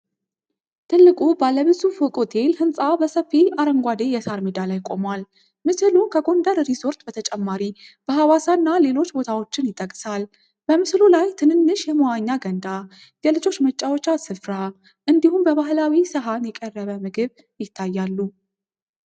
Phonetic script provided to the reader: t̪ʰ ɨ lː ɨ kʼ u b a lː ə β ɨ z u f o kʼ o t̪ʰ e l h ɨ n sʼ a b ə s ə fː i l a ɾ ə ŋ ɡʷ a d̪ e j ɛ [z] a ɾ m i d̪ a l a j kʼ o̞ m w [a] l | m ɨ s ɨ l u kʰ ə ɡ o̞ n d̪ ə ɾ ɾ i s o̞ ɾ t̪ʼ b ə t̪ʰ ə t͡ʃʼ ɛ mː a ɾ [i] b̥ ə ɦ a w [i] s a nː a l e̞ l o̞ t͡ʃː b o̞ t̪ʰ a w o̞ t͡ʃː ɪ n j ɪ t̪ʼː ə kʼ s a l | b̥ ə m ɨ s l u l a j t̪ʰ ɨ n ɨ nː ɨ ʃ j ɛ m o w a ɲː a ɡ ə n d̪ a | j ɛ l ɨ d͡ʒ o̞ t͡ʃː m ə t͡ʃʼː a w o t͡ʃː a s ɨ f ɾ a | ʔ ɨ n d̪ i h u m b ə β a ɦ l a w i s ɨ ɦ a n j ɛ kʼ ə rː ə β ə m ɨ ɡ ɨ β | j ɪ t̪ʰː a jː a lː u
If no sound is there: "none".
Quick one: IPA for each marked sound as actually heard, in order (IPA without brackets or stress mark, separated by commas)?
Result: s, a, i, a